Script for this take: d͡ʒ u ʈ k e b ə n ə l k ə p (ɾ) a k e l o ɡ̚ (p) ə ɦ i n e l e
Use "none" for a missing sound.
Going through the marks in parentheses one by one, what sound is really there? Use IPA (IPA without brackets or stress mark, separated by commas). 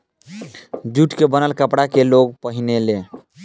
ɽ, p